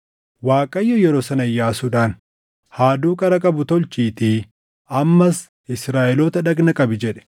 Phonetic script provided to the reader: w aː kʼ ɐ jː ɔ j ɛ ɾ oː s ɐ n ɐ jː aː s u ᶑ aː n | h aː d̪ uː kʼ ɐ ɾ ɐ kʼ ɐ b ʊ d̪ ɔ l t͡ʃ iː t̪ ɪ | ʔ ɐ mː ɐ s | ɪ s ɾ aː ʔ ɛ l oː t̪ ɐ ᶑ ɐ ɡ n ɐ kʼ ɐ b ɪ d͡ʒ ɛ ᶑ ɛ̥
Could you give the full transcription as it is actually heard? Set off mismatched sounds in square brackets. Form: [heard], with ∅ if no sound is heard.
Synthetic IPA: w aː kʼ ɐ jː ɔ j ɛ ɾ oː s ɐ n ɐ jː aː s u ᶑ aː n | h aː d̪ uː kʼ ɐ ɾ ɐ kʼ ɐ b ʊ [t̪] ɔ l t͡ʃ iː t̪ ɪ | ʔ ɐ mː ɐ s | ɪ s ɾ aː ʔ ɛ l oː t̪ ɐ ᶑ ɐ ɡ n ɐ kʼ ɐ b ɪ d͡ʒ ɛ ᶑ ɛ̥

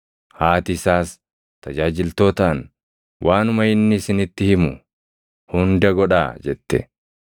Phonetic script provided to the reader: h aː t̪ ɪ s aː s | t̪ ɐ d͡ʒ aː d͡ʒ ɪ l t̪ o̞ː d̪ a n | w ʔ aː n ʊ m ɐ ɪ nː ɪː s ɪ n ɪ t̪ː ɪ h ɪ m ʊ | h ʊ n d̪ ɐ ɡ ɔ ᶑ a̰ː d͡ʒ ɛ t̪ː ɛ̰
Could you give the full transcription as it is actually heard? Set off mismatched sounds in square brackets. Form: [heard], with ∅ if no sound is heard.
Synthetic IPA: h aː t̪ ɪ s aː s | t̪ ɐ d͡ʒ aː d͡ʒ ɪ l t̪ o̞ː [t̪] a n | w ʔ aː n ʊ m ɐ ɪ nː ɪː s ɪ n ɪ t̪ː ɪ h ɪ m ʊ | h ʊ n d̪ ɐ ɡ ɔ ᶑ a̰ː d͡ʒ ɛ t̪ː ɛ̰

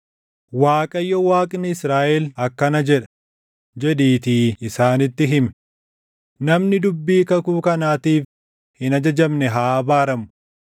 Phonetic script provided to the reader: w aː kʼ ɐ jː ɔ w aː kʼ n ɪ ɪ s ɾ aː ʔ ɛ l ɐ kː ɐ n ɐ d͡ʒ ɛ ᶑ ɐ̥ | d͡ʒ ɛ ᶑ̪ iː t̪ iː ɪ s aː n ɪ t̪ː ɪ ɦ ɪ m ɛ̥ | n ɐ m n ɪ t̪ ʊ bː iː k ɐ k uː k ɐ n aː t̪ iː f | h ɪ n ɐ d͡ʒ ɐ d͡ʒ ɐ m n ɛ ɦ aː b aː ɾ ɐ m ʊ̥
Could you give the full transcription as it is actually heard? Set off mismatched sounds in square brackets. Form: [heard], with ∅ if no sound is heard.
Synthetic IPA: w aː kʼ ɐ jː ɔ w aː kʼ n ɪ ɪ s ɾ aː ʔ ɛ l ɐ kː ɐ n ɐ d͡ʒ ɛ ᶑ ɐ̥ | d͡ʒ ɛ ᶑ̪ iː t̪ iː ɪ s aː n ɪ t̪ː ɪ ɦ ɪ m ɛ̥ | n ɐ m n ɪ [d̪] ʊ bː iː k ɐ k uː k ɐ n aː t̪ iː f | h ɪ n ɐ d͡ʒ ɐ d͡ʒ ɐ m n ɛ ɦ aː b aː ɾ ɐ m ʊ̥

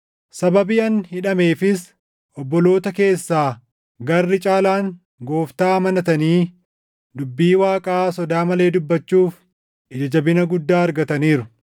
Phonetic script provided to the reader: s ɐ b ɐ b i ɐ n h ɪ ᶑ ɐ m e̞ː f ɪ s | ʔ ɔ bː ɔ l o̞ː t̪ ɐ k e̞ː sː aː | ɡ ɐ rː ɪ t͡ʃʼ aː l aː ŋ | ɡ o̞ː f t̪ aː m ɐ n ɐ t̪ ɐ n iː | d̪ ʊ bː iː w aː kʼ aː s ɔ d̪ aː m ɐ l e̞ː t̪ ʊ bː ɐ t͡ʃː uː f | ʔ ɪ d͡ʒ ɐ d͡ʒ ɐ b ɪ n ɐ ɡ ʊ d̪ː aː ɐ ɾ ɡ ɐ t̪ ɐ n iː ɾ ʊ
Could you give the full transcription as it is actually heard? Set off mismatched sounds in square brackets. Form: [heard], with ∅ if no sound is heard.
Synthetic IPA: s ɐ b ɐ b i ɐ n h ɪ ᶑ ɐ m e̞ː f ɪ s | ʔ ɔ bː ɔ l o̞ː t̪ ɐ k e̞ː sː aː | ɡ ɐ rː ɪ t͡ʃʼ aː l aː ŋ | ɡ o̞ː f t̪ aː m ɐ n ɐ t̪ ɐ n iː | d̪ ʊ bː iː w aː kʼ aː s ɔ d̪ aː m ɐ l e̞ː [d̪] ʊ bː ɐ t͡ʃː uː f | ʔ ɪ d͡ʒ ɐ d͡ʒ ɐ b ɪ n ɐ ɡ ʊ d̪ː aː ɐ ɾ ɡ ɐ t̪ ɐ n iː ɾ ʊ

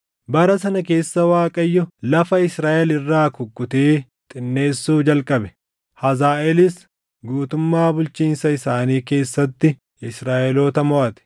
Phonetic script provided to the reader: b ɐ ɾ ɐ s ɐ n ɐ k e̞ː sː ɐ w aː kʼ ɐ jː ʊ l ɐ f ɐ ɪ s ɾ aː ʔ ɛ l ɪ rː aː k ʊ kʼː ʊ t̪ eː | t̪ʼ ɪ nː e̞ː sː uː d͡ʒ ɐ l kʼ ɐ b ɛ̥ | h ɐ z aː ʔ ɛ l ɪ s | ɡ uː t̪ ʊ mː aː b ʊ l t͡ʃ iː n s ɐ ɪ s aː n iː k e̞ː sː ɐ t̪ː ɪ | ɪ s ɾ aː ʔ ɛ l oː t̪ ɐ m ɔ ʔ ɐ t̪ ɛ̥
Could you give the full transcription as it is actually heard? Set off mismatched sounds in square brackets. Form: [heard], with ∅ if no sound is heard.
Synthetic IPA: b ɐ ɾ ɐ s ɐ n ɐ k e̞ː sː ɐ w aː kʼ ɐ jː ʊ l ɐ f ɐ ɪ s ɾ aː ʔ ɛ l ɪ rː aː k ʊ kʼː ʊ t̪ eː | t̪ʼ ɪ nː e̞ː sː uː d͡ʒ ɐ l kʼ ɐ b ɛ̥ | h ɐ z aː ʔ ɛ l ɪ s | ɡ uː t̪ ʊ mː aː b ʊ l t͡ʃ iː n s ɐ ɪ s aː n iː k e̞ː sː ɐ t̪ː ɪ | ɪ s ɾ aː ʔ ɛ l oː t̪ ɐ m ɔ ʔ ɐ t̪ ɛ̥

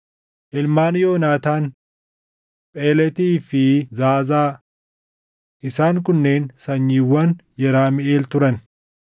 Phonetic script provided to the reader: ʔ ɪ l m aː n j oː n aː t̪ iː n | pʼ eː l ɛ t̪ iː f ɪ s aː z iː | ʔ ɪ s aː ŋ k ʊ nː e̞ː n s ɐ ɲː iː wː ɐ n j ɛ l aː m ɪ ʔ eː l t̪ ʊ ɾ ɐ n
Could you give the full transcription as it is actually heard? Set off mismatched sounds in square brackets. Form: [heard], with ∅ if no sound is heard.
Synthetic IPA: ʔ ɪ l m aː n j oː n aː t̪ [aː] n | pʼ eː l ɛ t̪ iː f ɪ [z] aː z [aː] | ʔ ɪ s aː ŋ k ʊ nː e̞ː n s ɐ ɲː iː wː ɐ n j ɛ [ɾ] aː m ɪ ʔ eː l t̪ ʊ ɾ ɐ n

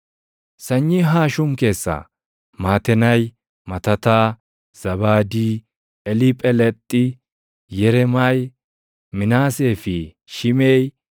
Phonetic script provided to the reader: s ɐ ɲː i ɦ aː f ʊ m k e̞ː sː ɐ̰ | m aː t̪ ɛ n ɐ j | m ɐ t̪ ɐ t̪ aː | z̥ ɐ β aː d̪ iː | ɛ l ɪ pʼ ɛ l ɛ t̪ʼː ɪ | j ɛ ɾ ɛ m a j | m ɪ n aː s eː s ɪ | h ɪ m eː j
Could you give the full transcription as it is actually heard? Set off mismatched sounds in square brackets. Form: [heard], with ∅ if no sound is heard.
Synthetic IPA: s ɐ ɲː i ɦ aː [ʃ] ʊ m k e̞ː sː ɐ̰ | m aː t̪ ɛ n ɐ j | m ɐ t̪ ɐ t̪ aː | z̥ ɐ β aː d̪ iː | ɛ l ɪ pʼ ɛ l ɛ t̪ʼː ɪ | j ɛ ɾ ɛ m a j | m ɪ n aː s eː [f] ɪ | [ʃ] ɪ m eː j

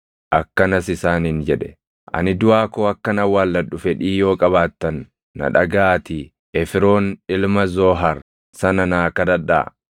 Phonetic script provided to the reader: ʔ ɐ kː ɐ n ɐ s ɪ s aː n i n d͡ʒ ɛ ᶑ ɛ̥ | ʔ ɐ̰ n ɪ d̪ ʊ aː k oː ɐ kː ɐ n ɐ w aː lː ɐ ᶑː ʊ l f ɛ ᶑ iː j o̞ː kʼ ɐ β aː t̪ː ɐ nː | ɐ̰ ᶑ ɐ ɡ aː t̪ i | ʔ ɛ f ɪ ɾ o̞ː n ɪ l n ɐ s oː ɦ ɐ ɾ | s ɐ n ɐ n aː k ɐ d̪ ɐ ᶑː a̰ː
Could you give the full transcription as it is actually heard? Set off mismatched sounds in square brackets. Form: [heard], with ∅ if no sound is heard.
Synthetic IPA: ʔ ɐ kː ɐ n ɐ s ɪ s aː n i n d͡ʒ ɛ ᶑ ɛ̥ | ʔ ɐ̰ n ɪ d̪ ʊ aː k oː ɐ kː ɐ n ɐ w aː lː ɐ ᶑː ʊ [∅] f ɛ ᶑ iː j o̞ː kʼ ɐ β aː t̪ː ɐ nː | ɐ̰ ᶑ ɐ ɡ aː t̪ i | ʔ ɛ f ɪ ɾ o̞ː n ɪ l [m] ɐ [z] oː ɦ ɐ ɾ | s ɐ n ɐ n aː k ɐ d̪ ɐ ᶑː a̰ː

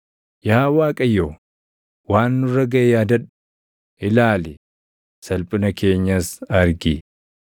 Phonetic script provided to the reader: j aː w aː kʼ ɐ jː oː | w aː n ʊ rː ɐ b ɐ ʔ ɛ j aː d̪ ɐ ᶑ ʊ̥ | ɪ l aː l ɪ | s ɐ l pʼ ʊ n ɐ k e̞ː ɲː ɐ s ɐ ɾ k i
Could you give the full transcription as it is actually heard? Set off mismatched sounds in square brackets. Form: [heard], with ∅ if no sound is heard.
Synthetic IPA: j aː w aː kʼ ɐ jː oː | w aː [nː] ʊ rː ɐ [ɡ] ɐ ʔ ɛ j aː d̪ ɐ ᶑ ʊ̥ | ɪ l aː l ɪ | s ɐ l pʼ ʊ n ɐ k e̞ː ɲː ɐ s ɐ ɾ [ɡ] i

